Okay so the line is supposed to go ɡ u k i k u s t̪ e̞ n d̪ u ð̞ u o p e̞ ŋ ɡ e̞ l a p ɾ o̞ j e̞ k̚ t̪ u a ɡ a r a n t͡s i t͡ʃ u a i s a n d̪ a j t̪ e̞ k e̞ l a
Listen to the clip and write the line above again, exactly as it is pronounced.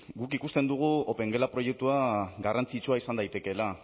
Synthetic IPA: ɡ u k i k u s t̪ e̞ n d̪ u ɣ̞ u o p e̞ ŋ ɡ e̞ l a p ɾ o̞ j e̞ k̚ t̪ u a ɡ a r a n t͡s i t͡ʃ u a i s a n d̪ a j t̪ e̞ k e̞ l a